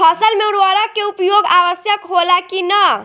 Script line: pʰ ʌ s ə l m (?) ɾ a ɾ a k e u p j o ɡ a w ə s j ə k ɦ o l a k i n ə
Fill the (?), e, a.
e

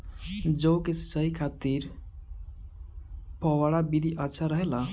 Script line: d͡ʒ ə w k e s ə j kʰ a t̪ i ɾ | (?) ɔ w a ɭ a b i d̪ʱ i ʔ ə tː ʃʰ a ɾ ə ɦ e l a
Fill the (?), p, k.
p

